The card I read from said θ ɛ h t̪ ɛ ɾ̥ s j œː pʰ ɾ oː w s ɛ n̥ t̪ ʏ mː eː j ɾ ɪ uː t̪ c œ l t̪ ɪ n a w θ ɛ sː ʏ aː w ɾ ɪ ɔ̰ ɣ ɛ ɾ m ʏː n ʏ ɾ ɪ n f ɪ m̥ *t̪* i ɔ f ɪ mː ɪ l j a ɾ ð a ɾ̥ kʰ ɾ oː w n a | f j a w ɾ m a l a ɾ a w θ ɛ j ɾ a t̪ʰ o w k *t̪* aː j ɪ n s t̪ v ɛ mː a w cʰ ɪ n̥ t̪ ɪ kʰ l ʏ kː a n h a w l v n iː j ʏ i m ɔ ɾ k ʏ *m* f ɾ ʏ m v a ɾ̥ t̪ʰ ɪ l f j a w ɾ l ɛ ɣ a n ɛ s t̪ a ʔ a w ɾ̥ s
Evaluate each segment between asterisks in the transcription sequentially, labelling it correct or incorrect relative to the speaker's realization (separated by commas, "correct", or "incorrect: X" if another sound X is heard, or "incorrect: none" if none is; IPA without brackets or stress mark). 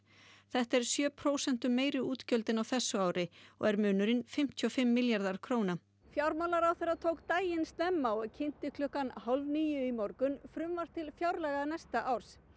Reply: incorrect: t̪ʰ, correct, incorrect: n